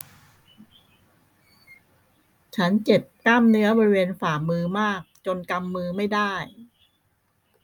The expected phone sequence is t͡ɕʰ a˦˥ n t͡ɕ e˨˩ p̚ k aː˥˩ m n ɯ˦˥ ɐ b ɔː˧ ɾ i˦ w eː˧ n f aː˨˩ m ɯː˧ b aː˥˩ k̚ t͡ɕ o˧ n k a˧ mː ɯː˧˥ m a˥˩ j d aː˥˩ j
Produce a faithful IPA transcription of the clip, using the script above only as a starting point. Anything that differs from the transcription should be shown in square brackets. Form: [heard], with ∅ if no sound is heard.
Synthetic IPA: t͡ɕʰ a˦˥ n t͡ɕ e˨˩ p̚ k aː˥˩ m n ɯ˦˥ ɐ b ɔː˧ ɾ i˦ w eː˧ n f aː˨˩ m ɯː˧ [m] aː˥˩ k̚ t͡ɕ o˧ n k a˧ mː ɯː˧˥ m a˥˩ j d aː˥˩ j